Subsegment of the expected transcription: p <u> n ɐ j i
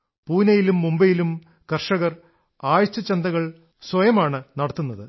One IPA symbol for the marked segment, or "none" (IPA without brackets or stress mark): uː